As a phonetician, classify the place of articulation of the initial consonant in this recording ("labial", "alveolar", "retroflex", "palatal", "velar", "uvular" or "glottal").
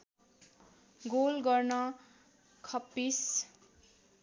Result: velar